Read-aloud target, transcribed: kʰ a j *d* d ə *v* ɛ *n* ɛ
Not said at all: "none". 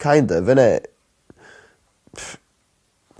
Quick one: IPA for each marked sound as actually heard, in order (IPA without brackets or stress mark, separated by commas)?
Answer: n, v, n